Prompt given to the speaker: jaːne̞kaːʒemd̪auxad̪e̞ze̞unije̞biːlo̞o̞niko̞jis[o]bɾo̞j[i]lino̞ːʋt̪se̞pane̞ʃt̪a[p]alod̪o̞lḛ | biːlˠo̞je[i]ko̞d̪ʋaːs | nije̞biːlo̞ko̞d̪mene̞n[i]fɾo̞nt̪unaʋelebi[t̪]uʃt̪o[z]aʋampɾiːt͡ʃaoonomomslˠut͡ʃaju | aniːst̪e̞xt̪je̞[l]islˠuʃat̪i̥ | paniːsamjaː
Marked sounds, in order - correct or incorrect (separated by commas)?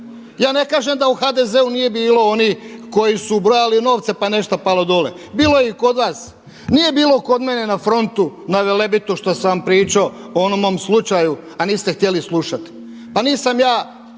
incorrect, incorrect, correct, correct, incorrect, correct, incorrect, correct